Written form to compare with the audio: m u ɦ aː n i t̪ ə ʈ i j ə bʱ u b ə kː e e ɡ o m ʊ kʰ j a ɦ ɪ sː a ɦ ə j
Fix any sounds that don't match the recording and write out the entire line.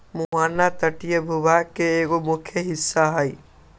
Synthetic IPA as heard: m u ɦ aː n a t̪ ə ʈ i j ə bʱ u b a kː e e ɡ o m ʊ kʰ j ə ɦ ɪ sː a ɦ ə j